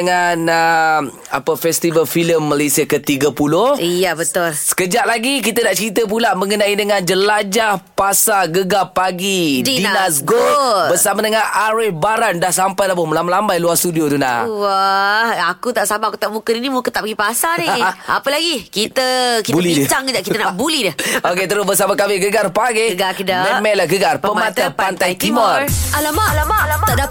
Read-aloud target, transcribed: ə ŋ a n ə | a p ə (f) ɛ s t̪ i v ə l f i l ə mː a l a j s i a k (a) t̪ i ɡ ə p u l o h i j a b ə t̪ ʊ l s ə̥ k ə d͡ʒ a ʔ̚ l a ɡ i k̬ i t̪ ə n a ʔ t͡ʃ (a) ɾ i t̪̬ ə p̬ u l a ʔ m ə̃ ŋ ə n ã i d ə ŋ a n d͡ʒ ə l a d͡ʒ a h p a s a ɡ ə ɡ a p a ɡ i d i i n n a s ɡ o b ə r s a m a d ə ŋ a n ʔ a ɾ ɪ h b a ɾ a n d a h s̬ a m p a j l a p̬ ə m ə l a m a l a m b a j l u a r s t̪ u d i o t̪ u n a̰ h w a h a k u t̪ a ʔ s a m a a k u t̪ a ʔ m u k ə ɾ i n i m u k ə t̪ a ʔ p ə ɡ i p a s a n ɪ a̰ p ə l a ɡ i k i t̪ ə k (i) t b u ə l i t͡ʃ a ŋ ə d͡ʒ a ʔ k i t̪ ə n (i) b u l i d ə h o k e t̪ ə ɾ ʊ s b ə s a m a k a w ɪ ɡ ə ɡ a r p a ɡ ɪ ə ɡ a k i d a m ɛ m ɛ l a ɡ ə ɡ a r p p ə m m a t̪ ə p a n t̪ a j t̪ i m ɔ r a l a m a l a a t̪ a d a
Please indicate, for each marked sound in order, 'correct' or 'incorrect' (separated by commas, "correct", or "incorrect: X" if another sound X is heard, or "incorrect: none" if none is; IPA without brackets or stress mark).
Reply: correct, incorrect: ə, incorrect: ə, correct, incorrect: a